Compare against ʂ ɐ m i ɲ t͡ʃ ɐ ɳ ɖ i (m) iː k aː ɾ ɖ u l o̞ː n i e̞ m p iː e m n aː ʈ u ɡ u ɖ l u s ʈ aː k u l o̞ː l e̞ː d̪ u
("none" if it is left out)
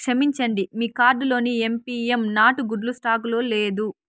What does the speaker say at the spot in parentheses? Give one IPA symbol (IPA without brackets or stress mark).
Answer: m